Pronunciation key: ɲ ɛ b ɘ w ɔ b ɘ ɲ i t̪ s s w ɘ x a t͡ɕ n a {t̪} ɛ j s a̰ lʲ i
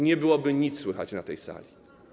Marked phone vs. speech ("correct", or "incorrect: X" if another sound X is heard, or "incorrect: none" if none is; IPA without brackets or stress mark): correct